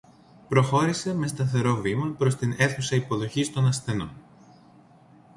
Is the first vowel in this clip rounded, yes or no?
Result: yes